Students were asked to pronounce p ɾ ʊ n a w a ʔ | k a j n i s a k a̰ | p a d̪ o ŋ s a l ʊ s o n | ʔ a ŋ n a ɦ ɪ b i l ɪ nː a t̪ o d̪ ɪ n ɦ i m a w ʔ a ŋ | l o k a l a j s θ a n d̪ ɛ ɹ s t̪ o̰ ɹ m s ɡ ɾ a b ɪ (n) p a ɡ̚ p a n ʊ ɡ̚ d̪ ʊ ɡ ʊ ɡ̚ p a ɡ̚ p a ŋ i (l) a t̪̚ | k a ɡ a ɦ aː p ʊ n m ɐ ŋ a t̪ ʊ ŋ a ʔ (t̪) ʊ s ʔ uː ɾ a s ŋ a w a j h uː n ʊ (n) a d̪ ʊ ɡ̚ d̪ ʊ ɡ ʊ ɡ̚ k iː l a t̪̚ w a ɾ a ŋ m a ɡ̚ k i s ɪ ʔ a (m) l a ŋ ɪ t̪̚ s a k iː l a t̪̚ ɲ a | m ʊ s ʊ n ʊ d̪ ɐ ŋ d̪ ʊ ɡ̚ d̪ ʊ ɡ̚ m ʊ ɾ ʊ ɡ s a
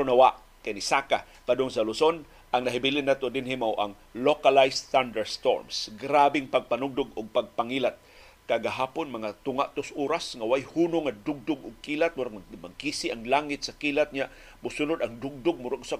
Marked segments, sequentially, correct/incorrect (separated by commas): incorrect, correct, correct, incorrect, incorrect